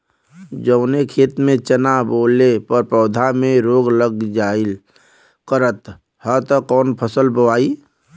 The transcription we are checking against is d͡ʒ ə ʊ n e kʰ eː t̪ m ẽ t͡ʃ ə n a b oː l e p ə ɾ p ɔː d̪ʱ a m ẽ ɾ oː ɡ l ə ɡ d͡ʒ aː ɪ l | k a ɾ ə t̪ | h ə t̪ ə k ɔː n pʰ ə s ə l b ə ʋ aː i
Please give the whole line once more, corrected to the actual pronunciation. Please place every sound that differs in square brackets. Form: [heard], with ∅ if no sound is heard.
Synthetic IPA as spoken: d͡ʒ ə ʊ n e kʰ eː t̪ m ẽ t͡ʃ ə n a b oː l e p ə ɾ p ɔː d̪ʱ a m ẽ ɾ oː ɡ l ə ɡ d͡ʒ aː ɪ l | k [ə] ɾ ə t̪ | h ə t̪ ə k ɔː n pʰ ə s ə l b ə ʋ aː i